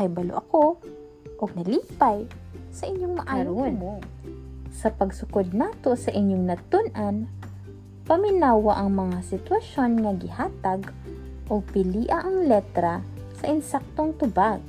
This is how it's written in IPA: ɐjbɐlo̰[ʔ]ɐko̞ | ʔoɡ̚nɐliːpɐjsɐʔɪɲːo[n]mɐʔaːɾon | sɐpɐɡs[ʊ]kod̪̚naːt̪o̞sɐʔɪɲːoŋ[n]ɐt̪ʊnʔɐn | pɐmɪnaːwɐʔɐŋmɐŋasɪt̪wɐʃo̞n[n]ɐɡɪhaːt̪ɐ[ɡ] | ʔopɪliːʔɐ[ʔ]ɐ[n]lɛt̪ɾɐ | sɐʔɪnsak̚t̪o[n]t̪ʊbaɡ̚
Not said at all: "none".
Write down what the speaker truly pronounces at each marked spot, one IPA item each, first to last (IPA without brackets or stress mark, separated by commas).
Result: ʔ, ŋ, ʊ, n, ŋ, ɡ, ʔ, ŋ, ŋ